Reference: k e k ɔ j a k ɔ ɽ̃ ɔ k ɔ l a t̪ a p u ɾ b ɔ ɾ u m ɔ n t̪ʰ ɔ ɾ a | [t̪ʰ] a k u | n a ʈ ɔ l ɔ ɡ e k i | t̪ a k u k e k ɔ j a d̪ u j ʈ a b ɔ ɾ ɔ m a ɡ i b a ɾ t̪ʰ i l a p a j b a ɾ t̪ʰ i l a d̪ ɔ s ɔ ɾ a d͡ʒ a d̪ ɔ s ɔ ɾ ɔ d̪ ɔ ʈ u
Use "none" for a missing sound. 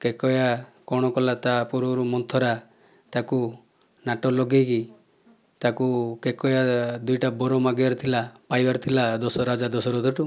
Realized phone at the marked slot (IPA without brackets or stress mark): t̪